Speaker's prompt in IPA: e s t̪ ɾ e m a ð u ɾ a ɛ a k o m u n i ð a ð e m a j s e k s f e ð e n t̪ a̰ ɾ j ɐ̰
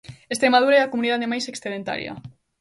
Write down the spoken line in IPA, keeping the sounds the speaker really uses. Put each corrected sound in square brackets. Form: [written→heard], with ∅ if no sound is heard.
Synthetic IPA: e s t̪ ɾ e m a ð u ɾ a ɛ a k o m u n i ð a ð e m a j s e k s [f→θ] e ð e n t̪ a̰ ɾ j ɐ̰